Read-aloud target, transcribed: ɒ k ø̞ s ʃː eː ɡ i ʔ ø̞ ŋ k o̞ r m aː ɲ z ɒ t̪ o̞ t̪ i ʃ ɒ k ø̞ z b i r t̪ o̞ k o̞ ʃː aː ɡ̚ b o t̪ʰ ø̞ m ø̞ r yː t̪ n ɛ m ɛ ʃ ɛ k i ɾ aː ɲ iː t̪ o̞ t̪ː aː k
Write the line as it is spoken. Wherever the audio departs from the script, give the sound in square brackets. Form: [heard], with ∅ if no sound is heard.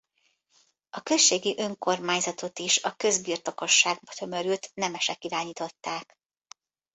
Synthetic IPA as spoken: ɒ k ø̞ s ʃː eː ɡ i ʔ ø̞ ŋ k o̞ r m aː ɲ z ɒ t̪ o̞ t̪ i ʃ ɒ k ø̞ z b i r t̪ o̞ k o̞ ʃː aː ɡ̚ b [ɒ] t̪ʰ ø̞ m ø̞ [ɾ] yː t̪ n ɛ m ɛ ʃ ɛ k i ɾ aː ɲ iː t̪ o̞ t̪ː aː k

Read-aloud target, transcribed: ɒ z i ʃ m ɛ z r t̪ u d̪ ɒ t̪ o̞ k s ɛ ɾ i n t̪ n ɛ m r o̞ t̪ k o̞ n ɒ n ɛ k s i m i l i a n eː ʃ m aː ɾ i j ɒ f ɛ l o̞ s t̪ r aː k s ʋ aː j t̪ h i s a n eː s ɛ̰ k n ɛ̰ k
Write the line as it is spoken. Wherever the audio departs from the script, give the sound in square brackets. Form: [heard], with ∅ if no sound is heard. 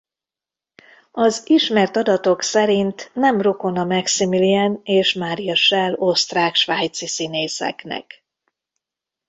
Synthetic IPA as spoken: ɒ z i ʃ m ɛ [∅] r t̪ [ɒ] d̪ ɒ t̪ o̞ k s ɛ ɾ i n t̪ n ɛ m r o̞ [∅] k o̞ n ɒ [m] ɛ k s i m i l i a n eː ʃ m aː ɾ i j ɒ [ʃ] ɛ l o̞ s t̪ r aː k [ʃ] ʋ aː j t̪ [s] i s [i] n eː s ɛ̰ k n ɛ̰ k

